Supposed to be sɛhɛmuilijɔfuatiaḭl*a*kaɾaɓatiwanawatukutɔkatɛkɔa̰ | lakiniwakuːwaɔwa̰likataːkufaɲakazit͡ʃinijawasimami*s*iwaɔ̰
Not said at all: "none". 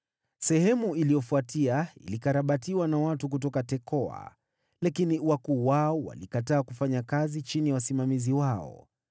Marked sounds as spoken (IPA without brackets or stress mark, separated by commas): i, z